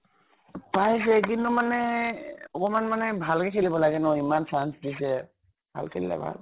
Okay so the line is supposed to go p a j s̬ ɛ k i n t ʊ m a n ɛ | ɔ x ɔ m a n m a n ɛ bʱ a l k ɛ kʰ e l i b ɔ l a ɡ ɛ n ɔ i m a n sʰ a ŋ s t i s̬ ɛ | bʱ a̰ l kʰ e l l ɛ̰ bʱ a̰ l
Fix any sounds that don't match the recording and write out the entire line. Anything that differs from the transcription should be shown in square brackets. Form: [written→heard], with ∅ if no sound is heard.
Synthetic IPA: p a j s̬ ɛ k i n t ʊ m a n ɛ | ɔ [x→k] ɔ m a n m a n ɛ bʱ a l k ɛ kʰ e l i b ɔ l a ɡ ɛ n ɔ i m a n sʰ a [ŋ→n] s [t→d] i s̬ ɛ | bʱ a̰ l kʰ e l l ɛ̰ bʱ a̰ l